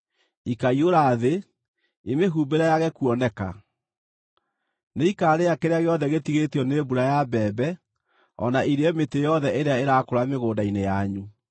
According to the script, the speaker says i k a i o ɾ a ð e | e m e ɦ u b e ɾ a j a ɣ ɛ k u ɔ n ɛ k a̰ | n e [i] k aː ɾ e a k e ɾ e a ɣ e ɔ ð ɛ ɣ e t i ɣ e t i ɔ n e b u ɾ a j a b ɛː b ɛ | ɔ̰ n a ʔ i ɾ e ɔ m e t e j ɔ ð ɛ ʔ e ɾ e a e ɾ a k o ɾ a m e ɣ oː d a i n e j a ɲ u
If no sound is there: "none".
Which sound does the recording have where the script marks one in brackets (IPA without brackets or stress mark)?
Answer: i